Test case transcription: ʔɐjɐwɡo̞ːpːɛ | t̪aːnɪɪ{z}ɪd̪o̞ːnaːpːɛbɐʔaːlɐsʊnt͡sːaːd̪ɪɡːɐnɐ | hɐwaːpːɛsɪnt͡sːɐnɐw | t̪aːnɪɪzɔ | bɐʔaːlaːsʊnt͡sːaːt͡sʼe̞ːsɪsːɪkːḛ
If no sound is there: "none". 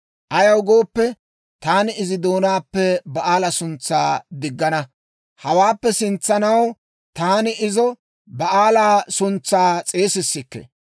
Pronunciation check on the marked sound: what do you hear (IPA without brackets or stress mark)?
z